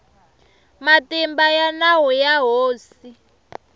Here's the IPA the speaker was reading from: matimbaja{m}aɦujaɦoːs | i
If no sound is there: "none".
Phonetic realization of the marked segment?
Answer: n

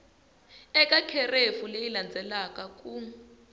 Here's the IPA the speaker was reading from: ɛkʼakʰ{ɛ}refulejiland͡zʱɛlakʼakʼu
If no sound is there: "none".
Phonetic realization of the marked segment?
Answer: ɛ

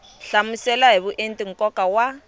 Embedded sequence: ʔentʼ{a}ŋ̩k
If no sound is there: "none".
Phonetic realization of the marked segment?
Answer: i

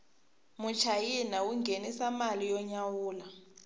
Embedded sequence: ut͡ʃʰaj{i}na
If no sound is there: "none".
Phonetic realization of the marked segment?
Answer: i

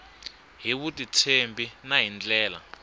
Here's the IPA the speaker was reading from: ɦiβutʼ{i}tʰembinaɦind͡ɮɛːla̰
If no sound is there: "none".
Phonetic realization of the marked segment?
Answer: i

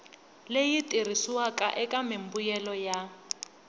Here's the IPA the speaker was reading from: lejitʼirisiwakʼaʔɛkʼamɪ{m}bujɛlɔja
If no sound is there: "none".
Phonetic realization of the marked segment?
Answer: m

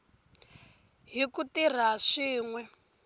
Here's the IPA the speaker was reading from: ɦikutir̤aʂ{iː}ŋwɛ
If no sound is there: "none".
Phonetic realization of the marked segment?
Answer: iː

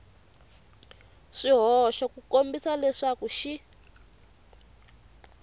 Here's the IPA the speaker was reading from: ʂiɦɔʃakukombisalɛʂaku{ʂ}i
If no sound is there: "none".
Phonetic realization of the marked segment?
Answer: ʃ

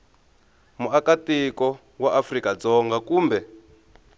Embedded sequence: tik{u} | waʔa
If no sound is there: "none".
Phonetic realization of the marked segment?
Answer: ɔ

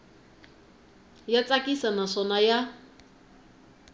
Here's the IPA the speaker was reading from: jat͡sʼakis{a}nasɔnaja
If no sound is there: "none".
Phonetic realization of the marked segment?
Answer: a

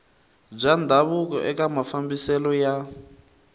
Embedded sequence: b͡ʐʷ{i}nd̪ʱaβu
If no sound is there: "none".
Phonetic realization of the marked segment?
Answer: a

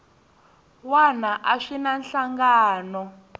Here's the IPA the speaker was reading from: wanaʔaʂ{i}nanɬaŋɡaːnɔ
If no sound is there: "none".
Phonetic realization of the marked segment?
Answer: i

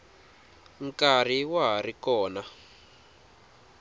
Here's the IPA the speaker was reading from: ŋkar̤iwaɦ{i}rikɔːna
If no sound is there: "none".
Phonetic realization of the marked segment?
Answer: a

